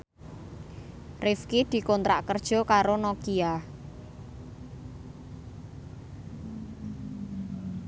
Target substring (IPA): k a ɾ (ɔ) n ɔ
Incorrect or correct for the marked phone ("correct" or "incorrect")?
incorrect